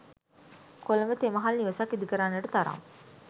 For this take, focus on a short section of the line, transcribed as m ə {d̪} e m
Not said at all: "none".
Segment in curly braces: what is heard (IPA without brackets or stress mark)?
t̪